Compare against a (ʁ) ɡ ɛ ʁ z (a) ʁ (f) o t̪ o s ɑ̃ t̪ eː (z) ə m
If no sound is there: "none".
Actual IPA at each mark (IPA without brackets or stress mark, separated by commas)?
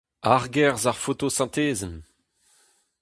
ʁ, a, f, z